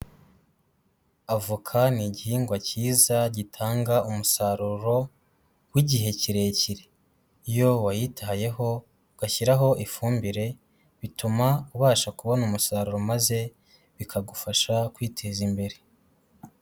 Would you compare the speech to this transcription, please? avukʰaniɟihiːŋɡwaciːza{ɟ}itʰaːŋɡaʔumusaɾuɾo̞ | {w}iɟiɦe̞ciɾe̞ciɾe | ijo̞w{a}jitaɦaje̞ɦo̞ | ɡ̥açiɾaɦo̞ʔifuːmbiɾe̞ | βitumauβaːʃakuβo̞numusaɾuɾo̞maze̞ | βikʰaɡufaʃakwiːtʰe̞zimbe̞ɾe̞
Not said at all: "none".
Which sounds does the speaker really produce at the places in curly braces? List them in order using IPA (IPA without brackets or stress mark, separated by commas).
ɟ, w, a